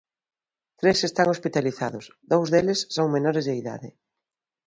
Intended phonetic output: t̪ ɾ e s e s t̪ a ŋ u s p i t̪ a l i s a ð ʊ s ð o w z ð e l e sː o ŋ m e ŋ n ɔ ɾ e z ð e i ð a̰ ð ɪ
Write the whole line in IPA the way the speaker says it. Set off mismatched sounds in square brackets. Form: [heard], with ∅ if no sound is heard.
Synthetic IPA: t̪ ɾ e s e s t̪ a ŋ [o] s p i t̪ a l i [θ] a ð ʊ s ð o w z ð e l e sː o ŋ m e [∅] n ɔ ɾ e z ð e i ð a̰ ð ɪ